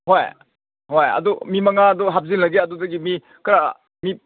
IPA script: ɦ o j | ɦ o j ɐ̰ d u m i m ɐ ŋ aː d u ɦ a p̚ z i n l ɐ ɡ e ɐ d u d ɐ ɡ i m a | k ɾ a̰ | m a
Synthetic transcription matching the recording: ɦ o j | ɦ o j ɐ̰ d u m i m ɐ ŋ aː d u ɦ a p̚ z i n l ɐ ɡ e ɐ d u d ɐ ɡ i m i | k ɾ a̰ | m i